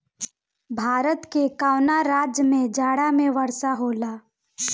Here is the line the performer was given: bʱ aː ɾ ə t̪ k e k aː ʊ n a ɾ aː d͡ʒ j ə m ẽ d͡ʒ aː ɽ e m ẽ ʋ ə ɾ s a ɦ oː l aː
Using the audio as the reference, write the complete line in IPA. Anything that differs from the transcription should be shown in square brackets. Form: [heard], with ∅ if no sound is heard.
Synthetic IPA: bʱ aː ɾ ə t̪ k e k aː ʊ n a ɾ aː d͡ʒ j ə m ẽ d͡ʒ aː ɽ [a] m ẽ ʋ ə ɾ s a ɦ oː l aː